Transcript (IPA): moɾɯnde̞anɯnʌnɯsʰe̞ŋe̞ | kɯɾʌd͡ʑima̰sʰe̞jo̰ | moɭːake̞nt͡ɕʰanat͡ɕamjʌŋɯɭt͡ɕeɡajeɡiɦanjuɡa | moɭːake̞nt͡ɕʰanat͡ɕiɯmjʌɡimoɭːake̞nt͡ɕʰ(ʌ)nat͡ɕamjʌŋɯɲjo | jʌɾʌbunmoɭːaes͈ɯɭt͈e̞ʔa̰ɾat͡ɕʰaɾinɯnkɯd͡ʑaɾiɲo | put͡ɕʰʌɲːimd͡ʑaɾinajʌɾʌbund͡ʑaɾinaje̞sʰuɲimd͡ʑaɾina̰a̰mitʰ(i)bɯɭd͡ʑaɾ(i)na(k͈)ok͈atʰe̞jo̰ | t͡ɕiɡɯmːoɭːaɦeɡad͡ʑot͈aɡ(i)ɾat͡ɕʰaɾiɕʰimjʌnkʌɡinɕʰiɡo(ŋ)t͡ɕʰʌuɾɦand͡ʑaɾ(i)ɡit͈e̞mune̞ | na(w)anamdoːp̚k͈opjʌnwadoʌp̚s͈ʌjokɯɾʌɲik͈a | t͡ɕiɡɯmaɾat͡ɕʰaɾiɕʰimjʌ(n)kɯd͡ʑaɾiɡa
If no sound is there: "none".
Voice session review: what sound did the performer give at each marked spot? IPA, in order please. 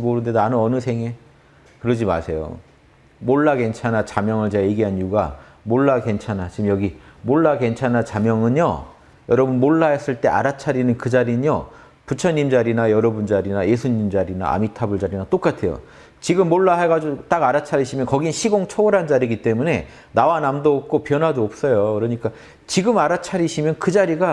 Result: a, a, i, t͈, a, ŋ, i, w, n

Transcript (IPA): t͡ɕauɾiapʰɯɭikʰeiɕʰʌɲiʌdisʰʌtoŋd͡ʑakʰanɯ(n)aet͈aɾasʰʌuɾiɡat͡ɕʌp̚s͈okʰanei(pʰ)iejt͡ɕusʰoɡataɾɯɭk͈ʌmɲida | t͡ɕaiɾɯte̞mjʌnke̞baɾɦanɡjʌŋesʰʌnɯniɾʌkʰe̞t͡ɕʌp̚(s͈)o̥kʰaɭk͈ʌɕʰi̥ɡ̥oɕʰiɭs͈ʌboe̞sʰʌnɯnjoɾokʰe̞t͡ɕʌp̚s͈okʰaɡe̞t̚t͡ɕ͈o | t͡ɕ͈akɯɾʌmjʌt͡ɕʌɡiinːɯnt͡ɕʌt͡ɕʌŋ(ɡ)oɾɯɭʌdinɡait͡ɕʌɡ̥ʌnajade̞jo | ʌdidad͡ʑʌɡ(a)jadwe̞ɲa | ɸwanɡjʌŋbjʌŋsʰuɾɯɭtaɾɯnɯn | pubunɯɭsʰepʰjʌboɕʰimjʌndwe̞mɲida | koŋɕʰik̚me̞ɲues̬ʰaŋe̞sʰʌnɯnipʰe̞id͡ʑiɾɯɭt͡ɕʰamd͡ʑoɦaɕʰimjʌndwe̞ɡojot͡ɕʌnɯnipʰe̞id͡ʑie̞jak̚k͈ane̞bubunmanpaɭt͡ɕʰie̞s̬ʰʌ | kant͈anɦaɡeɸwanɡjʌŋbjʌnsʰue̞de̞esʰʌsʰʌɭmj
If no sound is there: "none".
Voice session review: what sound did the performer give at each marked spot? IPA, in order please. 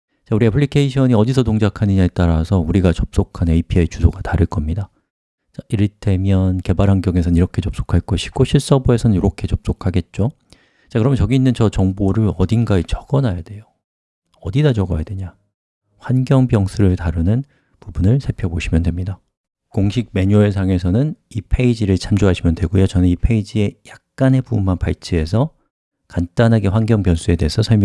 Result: ɲ, pʰ, s͈, b, ʌ

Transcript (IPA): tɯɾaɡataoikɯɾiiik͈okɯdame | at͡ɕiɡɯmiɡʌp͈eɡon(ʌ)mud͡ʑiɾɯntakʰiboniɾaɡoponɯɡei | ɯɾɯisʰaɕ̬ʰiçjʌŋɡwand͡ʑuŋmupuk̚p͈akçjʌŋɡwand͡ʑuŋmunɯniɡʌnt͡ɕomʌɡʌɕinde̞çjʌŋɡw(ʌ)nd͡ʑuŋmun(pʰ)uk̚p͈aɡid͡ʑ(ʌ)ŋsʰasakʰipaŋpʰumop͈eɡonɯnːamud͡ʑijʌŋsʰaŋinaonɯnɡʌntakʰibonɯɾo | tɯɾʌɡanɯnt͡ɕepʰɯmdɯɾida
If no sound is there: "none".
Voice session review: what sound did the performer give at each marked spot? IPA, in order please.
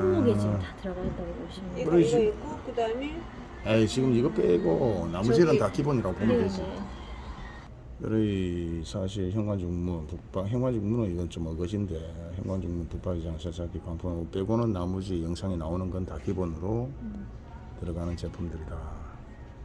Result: a, a, p, a

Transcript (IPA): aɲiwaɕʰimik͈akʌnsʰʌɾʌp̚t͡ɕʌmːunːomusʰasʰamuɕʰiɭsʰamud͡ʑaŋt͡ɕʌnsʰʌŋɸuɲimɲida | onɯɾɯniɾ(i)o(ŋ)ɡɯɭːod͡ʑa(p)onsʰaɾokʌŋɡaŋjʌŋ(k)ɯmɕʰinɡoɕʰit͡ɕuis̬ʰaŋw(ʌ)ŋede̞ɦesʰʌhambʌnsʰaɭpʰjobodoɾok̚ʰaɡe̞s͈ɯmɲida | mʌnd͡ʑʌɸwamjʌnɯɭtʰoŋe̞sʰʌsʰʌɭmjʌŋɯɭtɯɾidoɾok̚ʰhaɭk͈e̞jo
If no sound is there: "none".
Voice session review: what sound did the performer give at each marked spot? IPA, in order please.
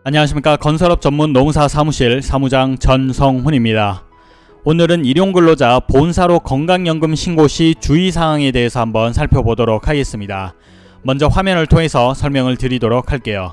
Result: j, ŋ, p, ɡ, a

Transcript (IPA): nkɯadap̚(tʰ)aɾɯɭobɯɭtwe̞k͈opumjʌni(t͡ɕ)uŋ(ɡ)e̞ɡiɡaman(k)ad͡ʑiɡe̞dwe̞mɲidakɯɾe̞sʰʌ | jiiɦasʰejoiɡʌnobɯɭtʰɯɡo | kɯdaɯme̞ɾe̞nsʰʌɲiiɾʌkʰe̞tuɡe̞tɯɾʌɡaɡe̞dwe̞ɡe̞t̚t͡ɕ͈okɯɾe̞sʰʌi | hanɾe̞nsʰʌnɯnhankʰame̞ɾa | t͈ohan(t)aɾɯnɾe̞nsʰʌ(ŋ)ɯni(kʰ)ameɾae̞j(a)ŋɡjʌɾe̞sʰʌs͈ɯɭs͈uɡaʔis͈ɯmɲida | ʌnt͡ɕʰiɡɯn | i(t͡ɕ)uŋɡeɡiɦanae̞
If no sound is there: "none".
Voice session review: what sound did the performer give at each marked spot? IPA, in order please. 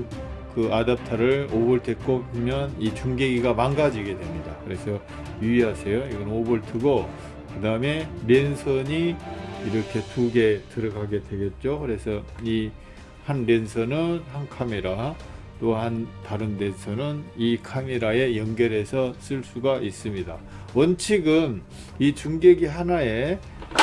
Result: tʰ, t͡ɕ, ɡ, ɡ, t, n, kʰ, ʌ, t͡ɕ

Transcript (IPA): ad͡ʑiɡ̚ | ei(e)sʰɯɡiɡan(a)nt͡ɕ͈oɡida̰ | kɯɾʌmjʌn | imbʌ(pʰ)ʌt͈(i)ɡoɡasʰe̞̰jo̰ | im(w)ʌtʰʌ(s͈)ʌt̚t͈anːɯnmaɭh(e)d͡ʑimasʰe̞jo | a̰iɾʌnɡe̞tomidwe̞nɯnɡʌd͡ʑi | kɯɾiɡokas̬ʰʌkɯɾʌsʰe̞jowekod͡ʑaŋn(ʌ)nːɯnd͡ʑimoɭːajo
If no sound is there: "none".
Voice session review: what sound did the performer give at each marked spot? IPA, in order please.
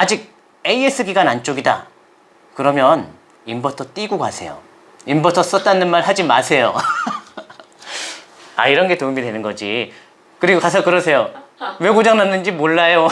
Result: e, a, tʰ, i, b, s͈, a, a

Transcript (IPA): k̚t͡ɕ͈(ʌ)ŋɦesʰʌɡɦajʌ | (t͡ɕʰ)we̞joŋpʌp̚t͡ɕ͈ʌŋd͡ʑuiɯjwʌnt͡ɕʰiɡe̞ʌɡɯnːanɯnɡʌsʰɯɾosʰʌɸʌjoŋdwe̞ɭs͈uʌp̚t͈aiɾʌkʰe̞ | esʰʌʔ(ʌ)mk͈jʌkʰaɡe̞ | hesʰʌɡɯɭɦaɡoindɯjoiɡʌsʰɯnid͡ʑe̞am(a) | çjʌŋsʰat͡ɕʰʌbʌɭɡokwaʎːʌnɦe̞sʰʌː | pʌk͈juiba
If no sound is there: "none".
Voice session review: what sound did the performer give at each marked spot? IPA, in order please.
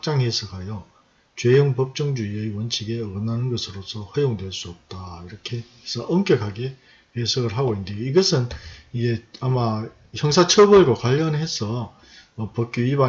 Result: a, t͡ɕ, ʌ, a

